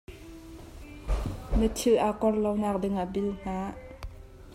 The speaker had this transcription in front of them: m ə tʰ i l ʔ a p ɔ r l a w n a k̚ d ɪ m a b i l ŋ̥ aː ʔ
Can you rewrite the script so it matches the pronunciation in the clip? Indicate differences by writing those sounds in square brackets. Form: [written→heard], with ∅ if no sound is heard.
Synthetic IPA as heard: m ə tʰ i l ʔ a [p→k] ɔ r l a w n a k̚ d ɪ [m→ŋ] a b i l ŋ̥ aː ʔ